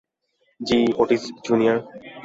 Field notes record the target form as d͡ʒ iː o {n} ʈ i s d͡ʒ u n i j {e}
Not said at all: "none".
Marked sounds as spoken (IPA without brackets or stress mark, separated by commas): none, a